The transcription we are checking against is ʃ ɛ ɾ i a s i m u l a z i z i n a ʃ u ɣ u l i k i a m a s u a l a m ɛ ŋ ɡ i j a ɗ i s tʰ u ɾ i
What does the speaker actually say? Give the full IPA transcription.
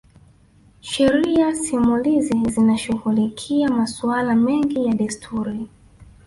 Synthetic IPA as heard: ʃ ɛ ɾ i a s i m u l i z i z i n a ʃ u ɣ u l i kʰ i a m a s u a l a m ɛ ŋ ɡ i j a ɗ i s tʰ u ɾ i